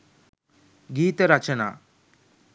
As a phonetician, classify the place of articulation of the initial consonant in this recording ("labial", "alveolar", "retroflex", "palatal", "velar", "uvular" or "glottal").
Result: velar